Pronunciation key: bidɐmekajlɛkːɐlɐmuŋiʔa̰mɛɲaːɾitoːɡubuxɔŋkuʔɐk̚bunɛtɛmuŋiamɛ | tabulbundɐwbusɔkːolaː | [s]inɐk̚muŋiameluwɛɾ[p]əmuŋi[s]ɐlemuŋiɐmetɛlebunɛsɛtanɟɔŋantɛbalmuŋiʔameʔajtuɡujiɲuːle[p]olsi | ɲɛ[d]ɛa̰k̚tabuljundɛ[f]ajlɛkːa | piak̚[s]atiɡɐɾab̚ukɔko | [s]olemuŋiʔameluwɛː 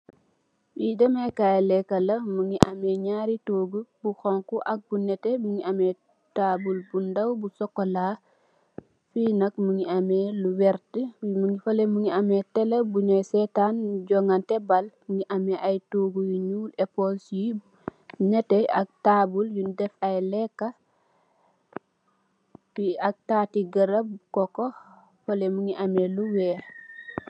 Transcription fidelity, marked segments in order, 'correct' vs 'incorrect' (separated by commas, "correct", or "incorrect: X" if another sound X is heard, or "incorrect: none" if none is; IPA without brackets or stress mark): incorrect: f, incorrect: t, incorrect: f, correct, incorrect: t, correct, incorrect: t, incorrect: f